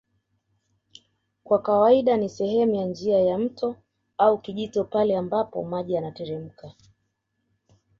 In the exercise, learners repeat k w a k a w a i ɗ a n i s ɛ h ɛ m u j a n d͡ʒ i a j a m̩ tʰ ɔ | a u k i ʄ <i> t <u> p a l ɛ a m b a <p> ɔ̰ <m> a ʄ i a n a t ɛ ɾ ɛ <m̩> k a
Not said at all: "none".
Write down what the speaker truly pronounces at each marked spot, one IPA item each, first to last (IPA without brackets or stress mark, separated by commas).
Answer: i, ɔ, p, m, m̩